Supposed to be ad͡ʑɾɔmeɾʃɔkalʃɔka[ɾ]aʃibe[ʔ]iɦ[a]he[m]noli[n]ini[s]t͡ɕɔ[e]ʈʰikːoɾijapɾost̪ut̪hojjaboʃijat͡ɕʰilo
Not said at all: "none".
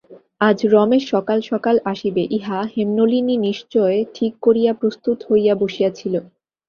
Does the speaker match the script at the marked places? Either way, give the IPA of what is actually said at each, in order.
l, ʔ, a, m, n, ʃ, e

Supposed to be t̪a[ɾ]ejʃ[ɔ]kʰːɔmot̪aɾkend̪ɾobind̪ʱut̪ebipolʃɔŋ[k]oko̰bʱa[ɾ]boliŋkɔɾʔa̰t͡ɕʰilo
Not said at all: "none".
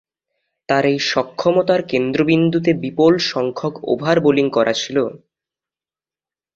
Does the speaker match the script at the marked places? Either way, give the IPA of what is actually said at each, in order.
ɾ, ɔ, kʰ, ɾ

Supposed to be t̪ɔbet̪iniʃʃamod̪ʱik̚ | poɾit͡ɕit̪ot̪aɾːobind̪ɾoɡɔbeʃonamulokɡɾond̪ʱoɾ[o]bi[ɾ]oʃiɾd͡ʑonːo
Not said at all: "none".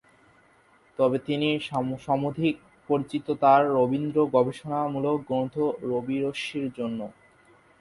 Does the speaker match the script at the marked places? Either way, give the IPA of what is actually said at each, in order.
o, ɾ

